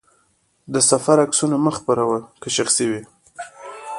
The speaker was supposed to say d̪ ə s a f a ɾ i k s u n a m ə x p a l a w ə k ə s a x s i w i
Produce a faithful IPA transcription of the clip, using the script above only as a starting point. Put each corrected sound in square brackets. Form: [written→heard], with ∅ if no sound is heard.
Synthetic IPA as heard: d̪ ə s a f a ɾ [i→a] k s u n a m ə x p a [l→ɾ] a w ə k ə [s→ʃ] a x s i w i